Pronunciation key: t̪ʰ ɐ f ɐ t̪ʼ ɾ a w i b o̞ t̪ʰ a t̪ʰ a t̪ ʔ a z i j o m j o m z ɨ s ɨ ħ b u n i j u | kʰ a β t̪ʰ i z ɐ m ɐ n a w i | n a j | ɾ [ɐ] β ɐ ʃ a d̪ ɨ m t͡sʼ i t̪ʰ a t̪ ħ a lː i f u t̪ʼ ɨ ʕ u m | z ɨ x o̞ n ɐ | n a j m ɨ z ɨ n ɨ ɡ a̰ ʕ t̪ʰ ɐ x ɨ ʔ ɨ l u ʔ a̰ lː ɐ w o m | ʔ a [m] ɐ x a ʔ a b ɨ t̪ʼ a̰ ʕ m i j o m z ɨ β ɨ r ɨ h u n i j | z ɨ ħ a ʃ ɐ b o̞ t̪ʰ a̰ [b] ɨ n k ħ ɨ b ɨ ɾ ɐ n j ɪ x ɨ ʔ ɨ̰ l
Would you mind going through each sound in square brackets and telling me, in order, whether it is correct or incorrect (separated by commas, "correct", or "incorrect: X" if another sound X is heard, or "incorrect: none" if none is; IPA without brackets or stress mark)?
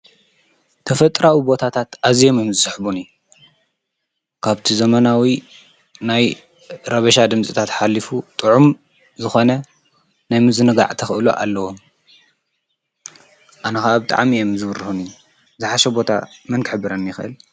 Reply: correct, incorrect: n, incorrect: m